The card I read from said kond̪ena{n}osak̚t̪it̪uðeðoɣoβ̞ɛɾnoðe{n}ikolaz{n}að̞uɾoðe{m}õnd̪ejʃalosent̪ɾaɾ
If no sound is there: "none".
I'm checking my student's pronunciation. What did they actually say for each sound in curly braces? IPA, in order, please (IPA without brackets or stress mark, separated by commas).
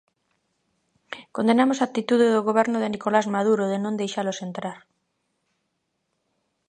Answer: m, n, m, n